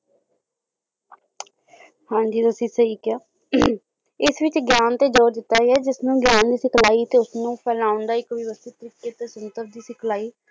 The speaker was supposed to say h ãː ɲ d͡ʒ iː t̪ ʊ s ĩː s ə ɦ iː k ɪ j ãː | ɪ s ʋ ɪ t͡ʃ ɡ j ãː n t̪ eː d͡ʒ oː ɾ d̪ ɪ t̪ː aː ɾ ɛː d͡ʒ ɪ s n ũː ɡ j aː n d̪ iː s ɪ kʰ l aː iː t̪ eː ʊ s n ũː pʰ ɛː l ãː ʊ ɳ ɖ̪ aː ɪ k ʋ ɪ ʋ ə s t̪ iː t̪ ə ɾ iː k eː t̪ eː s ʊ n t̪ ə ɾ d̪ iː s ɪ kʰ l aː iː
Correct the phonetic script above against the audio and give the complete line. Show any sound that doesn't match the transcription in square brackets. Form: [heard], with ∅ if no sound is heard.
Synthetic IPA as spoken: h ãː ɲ d͡ʒ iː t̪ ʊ s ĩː s ə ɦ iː k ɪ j [aː] | ɪ s ʋ ɪ t͡ʃ ɡ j [aː] n t̪ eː d͡ʒ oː ɾ d̪ ɪ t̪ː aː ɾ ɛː d͡ʒ ɪ s n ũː ɡ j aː n d̪ iː s ɪ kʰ l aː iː t̪ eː ʊ s n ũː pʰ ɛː l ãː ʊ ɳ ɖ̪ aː ɪ k ʋ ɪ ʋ ə s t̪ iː t̪ ə ɾ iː k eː t̪ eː s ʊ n t̪ ə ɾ d̪ iː s ɪ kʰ l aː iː